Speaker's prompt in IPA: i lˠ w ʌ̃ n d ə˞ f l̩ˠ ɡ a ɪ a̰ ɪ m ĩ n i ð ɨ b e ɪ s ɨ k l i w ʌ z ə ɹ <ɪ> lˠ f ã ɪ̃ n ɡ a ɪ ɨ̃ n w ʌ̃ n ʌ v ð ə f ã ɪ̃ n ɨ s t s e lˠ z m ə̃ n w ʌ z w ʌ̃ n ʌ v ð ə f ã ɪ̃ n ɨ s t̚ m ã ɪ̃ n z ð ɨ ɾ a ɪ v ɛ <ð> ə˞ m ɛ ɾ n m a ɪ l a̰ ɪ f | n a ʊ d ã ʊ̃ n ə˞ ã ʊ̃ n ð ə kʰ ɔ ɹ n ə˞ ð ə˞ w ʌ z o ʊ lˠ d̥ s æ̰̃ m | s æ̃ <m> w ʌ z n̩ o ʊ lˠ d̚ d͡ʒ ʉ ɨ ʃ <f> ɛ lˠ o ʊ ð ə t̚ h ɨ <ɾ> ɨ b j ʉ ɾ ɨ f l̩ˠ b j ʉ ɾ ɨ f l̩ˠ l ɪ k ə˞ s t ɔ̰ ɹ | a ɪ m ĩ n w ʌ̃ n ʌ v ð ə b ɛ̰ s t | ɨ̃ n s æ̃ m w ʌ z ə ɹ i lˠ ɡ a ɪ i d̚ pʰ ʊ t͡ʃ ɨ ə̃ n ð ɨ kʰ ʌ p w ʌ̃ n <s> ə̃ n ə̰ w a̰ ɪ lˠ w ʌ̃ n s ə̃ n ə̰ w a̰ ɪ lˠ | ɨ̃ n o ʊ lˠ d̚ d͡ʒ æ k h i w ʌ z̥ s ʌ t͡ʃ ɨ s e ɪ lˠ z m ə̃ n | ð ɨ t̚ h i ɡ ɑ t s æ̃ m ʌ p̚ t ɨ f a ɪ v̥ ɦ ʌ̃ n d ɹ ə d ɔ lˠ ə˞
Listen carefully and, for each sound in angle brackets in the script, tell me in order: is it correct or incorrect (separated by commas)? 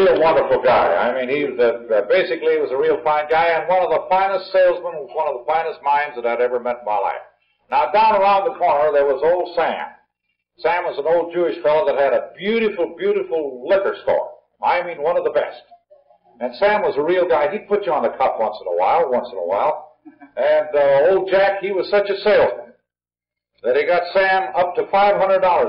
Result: incorrect, incorrect, correct, correct, correct, correct